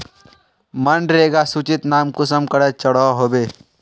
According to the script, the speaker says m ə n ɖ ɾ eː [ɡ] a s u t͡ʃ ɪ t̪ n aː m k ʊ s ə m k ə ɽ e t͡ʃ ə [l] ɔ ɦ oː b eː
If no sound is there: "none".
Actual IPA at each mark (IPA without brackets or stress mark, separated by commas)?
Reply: ɡ, ɽ